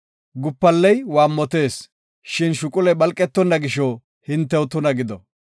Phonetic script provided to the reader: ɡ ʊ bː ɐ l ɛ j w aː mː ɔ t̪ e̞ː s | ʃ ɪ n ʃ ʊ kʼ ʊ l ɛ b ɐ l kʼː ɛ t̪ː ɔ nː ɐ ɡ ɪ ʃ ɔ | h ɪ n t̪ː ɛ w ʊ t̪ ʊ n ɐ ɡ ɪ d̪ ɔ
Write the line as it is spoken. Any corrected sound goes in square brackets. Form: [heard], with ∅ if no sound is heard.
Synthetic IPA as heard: ɡ ʊ [pː] ɐ [lː] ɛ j w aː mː ɔ t̪ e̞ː s | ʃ ɪ n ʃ ʊ kʼ ʊ l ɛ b ɐ l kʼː ɛ t̪ː ɔ nː ɐ ɡ ɪ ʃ ɔ | h ɪ n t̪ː ɛ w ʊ t̪ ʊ n ɐ ɡ ɪ d̪ ɔ